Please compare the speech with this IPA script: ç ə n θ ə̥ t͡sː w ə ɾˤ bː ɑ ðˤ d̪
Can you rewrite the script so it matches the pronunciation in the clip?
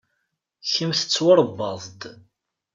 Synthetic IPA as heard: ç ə m θ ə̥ t͡sː w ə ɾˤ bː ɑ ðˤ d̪